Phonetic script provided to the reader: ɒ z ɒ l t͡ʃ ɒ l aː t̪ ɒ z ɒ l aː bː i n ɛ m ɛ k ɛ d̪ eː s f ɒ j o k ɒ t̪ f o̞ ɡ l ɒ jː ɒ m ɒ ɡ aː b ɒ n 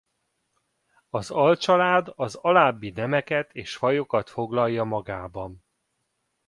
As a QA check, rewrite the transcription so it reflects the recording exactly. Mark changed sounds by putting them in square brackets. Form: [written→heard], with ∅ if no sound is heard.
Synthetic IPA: ɒ z ɒ l t͡ʃ ɒ l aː [t̪→d̪] ɒ z ɒ l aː bː i n ɛ m ɛ k ɛ [d̪→t̪] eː [s→ʃ] f ɒ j o k ɒ t̪ f o̞ ɡ l ɒ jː ɒ m ɒ ɡ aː b ɒ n